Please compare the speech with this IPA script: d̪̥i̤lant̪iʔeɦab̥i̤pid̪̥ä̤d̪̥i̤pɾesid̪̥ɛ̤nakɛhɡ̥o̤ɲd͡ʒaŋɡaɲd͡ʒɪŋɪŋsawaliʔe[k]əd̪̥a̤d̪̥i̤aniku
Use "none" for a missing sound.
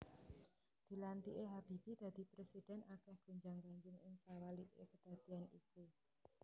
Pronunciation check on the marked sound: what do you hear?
k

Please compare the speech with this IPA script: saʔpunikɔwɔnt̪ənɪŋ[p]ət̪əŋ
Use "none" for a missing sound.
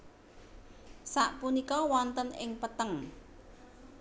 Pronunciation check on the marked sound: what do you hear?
p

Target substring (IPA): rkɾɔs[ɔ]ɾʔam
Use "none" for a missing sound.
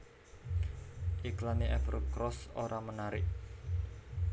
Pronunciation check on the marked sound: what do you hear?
o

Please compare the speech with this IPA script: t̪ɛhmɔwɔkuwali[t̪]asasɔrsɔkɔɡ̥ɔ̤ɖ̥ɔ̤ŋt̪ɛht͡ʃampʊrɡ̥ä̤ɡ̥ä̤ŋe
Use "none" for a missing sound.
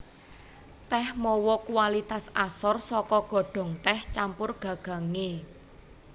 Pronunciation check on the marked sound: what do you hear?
t̪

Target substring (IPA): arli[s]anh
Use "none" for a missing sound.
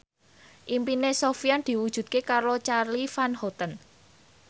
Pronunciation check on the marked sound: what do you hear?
f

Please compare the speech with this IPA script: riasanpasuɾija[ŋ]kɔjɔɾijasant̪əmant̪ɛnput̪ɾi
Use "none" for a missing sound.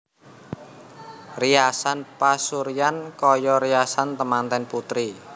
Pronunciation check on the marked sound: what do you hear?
n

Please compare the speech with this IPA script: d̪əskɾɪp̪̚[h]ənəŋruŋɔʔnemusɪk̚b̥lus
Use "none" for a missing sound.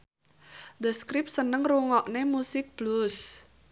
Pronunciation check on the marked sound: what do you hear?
s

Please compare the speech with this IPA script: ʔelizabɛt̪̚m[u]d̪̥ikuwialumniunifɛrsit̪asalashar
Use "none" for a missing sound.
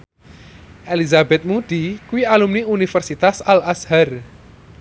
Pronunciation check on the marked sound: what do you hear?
u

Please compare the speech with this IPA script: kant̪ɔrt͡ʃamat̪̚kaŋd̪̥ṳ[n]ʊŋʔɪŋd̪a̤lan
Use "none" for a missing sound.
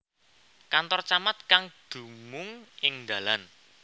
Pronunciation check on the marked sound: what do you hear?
m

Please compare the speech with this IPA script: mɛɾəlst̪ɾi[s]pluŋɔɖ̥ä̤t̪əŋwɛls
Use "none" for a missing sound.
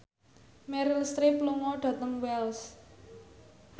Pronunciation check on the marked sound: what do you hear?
none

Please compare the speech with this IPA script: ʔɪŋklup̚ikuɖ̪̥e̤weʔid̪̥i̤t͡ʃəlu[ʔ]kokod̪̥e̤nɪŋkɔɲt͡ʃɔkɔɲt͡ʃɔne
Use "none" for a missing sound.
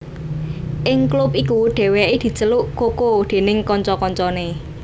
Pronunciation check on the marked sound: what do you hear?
ʔ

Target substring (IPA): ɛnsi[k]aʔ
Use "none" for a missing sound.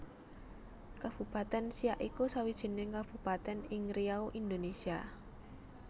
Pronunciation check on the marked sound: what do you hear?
none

